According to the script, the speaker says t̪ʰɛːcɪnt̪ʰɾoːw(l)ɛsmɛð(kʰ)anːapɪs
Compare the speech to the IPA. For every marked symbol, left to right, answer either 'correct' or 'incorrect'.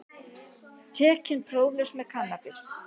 correct, correct

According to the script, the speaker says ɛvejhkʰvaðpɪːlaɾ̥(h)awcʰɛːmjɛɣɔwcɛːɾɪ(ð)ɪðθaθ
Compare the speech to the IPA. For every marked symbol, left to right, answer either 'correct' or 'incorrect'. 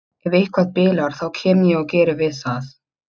incorrect: θ, incorrect: v

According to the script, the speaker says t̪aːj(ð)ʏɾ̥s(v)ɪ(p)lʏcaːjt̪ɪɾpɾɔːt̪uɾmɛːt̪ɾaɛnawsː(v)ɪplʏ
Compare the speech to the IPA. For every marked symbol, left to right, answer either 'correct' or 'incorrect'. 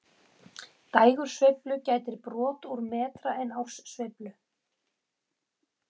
incorrect: ɣ, correct, correct, correct

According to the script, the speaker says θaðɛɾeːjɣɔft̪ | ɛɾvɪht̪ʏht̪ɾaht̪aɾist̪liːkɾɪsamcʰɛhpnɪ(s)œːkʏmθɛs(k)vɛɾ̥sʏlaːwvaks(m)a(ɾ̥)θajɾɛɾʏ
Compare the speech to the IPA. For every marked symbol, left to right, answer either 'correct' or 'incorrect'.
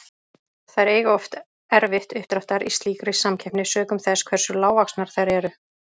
correct, incorrect: kʰ, incorrect: n, correct

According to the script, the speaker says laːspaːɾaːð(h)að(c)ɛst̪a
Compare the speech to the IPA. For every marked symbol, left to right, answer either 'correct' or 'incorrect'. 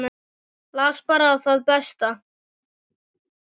incorrect: θ, incorrect: p

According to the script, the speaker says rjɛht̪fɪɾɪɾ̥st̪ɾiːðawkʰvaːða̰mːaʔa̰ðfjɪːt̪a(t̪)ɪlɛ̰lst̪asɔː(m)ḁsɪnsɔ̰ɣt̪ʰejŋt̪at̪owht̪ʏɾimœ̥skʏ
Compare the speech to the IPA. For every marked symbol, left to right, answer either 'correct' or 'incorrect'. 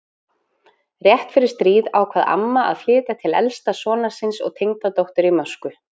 incorrect: t̪ʰ, incorrect: n

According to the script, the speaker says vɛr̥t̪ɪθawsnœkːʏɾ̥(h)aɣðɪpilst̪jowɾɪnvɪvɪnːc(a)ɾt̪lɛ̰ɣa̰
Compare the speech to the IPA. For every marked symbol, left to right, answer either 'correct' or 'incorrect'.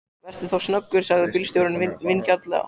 incorrect: s, correct

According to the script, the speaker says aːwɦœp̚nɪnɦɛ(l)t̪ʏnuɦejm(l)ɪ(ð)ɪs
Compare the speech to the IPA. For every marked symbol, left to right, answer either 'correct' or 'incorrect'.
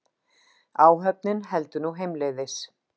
correct, correct, correct

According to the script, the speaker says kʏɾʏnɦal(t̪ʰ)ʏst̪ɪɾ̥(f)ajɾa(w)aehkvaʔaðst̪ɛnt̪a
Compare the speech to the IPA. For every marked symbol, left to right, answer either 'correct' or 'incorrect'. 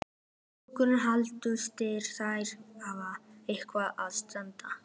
incorrect: t̪, incorrect: θ, incorrect: v

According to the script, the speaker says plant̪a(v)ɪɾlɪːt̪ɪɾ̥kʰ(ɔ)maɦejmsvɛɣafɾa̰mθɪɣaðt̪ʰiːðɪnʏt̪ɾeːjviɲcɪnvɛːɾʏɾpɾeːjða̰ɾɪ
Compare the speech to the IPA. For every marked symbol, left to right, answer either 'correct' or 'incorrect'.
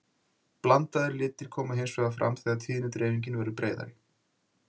incorrect: ð, incorrect: ɔː

